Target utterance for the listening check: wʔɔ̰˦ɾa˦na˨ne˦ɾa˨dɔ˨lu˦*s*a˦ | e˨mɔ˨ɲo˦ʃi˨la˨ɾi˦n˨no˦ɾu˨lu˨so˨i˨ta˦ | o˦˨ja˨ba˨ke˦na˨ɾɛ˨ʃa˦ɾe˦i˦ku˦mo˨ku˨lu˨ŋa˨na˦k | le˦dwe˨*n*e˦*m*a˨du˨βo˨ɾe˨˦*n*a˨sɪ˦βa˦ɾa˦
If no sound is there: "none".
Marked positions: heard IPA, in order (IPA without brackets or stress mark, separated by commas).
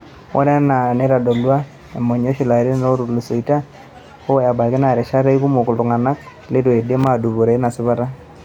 none, d, m, n